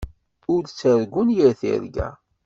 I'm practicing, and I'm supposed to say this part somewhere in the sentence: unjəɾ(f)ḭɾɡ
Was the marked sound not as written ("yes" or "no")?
yes